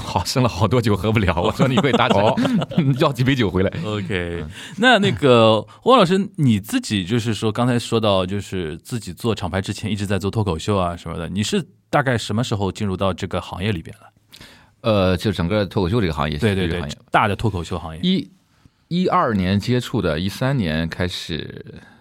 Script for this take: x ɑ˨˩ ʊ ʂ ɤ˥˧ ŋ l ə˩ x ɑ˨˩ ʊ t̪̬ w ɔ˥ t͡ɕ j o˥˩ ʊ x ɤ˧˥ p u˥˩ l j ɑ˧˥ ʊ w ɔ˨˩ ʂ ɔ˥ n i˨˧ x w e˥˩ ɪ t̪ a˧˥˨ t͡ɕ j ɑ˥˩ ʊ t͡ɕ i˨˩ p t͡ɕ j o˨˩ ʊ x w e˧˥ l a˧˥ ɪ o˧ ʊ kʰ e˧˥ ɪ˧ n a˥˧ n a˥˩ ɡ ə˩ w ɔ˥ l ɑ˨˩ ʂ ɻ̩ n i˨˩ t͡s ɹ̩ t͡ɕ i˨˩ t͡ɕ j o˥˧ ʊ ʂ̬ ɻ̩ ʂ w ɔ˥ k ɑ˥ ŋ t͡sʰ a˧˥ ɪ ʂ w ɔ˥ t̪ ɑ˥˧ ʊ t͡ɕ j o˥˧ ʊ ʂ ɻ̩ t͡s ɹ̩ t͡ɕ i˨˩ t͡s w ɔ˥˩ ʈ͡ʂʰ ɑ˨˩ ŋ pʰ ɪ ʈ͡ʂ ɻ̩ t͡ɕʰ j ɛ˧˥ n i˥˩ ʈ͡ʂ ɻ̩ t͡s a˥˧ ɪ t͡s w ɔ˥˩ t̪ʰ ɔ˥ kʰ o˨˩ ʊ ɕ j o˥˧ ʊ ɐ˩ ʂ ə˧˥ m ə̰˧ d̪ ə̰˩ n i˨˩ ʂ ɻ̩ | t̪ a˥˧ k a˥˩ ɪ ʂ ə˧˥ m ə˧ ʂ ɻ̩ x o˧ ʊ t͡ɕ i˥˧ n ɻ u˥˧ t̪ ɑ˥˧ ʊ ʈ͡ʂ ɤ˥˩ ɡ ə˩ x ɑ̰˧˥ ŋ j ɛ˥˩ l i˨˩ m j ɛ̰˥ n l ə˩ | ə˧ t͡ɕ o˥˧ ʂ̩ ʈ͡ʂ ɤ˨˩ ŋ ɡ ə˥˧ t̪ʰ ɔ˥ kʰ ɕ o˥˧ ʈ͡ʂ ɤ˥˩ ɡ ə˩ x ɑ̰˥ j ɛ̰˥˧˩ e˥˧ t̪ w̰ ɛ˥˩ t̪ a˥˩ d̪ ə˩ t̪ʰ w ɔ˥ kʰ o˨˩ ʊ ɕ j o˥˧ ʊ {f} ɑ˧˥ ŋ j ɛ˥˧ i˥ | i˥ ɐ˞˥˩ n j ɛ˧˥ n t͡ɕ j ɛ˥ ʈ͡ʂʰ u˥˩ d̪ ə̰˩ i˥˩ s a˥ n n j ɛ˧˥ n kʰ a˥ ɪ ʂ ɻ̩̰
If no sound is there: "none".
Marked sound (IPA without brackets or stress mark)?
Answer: x